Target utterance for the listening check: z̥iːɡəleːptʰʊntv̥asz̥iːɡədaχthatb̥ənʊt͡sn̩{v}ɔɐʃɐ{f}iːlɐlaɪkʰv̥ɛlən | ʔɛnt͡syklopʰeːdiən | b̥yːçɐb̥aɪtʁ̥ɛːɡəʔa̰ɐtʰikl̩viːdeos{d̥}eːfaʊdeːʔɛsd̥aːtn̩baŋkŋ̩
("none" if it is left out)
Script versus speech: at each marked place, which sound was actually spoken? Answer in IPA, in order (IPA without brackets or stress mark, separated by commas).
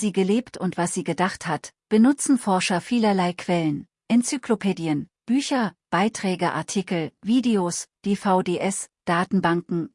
f, f, d̥